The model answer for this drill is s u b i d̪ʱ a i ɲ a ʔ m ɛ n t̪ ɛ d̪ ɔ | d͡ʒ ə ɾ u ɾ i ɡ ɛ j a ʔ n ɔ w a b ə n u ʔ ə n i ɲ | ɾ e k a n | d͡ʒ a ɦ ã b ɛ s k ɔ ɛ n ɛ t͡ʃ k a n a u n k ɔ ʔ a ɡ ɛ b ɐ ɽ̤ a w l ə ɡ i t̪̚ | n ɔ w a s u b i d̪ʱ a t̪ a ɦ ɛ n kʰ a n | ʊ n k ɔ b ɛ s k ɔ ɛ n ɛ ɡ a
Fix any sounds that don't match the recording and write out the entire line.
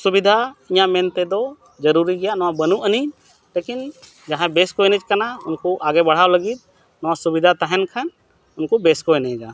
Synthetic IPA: s u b i d̪ʱ a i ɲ a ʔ m ɛ n t̪ ɛ d̪ ɔ | d͡ʒ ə ɾ u ɾ i ɡ ɛ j a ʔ n ɔ w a b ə n u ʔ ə n i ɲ | l e k i n | d͡ʒ a ɦ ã b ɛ s k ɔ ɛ n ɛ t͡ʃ k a n a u n k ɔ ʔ a ɡ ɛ b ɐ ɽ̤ a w l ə ɡ i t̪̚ | n ɔ w a s u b i d̪ʱ a t̪ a ɦ ɛ n kʰ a n | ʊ n k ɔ b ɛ s k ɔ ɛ n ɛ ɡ a